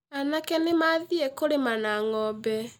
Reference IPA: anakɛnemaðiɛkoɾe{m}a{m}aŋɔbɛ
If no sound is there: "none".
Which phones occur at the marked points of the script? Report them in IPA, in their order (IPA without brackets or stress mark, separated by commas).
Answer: m, n